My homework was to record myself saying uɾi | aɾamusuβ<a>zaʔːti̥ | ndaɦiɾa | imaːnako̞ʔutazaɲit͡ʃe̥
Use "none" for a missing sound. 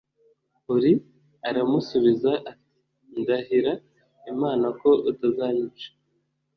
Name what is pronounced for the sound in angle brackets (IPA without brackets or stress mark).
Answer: i